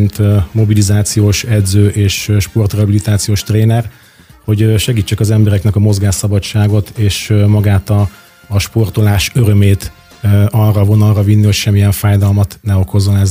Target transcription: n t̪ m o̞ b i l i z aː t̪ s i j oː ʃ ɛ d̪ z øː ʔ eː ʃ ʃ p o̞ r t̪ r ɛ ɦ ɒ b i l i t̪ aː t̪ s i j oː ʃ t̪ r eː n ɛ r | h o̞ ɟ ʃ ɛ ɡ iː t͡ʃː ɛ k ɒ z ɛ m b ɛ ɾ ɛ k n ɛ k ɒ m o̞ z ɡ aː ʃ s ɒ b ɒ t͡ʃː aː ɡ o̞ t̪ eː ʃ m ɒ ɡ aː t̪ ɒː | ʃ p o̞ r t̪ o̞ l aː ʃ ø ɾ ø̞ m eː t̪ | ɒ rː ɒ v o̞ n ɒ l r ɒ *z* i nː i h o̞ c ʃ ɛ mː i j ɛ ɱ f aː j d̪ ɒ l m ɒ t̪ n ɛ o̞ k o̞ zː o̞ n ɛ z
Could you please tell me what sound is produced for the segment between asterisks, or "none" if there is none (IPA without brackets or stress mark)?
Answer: v